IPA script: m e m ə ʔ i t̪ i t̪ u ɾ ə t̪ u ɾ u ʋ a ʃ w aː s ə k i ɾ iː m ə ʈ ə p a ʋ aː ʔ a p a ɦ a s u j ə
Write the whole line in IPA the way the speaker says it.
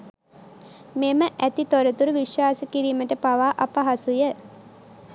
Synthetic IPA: m e m ə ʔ æ t̪ i t̪ o ɾ ə t̪ u ɾ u ʋ i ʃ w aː s ə k i ɾ iː m ə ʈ ə p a ʋ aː ʔ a p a ɦ a s u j ə